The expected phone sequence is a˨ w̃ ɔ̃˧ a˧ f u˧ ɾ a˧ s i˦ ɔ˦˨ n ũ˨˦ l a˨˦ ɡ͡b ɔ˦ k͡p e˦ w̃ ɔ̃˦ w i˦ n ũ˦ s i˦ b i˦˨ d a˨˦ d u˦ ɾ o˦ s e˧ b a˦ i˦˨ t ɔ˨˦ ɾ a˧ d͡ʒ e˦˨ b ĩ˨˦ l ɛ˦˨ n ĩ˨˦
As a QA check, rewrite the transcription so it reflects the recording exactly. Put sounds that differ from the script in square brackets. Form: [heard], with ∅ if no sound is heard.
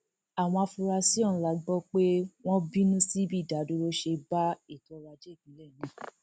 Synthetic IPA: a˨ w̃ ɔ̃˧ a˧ f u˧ ɾ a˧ s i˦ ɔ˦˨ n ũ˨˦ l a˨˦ ɡ͡b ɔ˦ k͡p e˦ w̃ ɔ̃˦ [b] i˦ n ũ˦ s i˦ b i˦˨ d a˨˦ d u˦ ɾ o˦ [ʃ] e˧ b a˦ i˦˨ t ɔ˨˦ ɾ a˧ d͡ʒ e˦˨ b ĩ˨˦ l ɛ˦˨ n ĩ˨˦